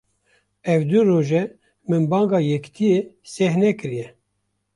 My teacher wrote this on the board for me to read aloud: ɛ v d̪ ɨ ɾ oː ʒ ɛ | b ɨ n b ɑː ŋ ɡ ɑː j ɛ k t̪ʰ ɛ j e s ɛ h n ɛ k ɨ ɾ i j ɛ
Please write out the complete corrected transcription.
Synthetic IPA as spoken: ɛ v d̪ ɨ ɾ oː ʒ ɛ | m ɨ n b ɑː ŋ ɡ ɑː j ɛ k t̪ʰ i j e s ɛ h n ɛ k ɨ ɾ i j ɛ